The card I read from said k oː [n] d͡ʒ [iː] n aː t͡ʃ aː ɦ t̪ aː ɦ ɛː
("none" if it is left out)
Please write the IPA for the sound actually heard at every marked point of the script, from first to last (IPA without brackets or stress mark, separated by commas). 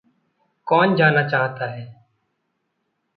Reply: n, aː